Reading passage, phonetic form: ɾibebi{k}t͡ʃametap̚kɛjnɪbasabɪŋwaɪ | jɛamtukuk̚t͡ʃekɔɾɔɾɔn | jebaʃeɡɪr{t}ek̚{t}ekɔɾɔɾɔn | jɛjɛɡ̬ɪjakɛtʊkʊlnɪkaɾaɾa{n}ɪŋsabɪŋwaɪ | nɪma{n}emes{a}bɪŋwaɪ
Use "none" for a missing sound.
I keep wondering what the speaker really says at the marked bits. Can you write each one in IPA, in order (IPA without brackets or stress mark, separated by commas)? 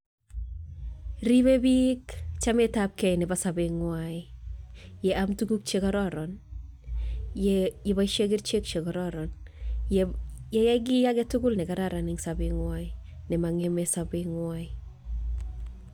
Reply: k, t͡ʃ, t͡ʃ, n, ŋ, a